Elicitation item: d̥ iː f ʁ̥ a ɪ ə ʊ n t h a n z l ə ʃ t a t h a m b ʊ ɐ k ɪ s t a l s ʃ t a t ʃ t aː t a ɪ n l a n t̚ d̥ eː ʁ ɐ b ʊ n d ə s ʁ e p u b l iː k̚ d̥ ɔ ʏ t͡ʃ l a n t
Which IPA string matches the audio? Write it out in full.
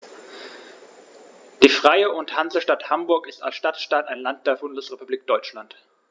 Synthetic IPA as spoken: d̥ iː f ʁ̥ a ɪ ə ʊ n t h a n z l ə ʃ t a t h a m b ʊ ɐ k ɪ s t a l s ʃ t a t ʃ t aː t a ɪ n l a n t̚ d̥ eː ɐ b ʊ n d ə s ʁ e p u b l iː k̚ d̥ ɔ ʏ t͡ʃ l a n t